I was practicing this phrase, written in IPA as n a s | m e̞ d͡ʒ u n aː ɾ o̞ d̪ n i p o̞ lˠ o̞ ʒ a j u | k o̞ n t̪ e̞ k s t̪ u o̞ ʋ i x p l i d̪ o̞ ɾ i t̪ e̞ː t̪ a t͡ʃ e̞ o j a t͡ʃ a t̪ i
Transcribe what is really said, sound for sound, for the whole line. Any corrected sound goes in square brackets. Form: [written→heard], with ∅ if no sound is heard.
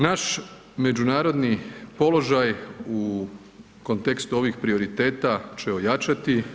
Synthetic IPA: n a [s→ʃ] | m e̞ d͡ʒ u n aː ɾ o̞ d̪ n i p o̞ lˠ o̞ ʒ a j u | k o̞ n t̪ e̞ k s t̪ u o̞ ʋ i x p [l→ɾ] i [d̪→∅] o̞ ɾ i t̪ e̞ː t̪ a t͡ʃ e̞ o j a t͡ʃ a t̪ i